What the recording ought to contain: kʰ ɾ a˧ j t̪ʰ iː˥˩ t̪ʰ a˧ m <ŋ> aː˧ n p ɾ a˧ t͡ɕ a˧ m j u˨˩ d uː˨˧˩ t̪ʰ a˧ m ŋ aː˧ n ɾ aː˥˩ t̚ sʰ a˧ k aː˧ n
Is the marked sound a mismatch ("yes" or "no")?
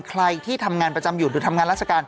no